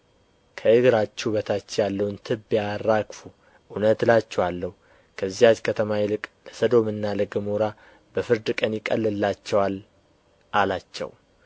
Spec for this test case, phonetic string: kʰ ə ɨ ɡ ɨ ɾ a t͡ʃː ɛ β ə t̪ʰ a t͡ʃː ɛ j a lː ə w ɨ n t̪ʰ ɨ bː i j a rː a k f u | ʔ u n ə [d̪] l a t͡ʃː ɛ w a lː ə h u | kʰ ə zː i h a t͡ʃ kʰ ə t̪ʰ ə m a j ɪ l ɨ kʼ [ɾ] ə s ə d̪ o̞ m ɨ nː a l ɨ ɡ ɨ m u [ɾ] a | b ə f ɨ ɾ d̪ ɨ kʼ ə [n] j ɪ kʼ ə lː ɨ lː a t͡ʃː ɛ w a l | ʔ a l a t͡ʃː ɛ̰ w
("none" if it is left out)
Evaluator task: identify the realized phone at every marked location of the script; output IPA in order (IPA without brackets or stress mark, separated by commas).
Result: t̪, l, ɾ, n